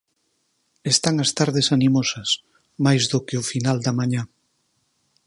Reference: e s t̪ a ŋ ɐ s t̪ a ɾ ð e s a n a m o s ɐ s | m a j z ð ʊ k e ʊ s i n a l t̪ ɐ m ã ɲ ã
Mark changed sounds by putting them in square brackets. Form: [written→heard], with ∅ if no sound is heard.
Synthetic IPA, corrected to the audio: e s t̪ a ŋ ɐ s t̪ a ɾ ð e s a n [a→i] m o s ɐ s | m a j z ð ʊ k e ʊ [s→f] i n a l [t̪→d̪] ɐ m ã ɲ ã